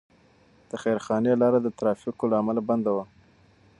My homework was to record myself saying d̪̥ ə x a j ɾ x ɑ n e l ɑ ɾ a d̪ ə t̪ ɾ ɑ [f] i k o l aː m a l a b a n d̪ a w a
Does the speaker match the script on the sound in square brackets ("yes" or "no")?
yes